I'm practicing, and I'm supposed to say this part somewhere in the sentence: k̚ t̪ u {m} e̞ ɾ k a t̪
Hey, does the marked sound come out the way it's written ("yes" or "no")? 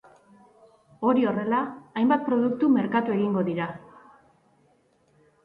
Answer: yes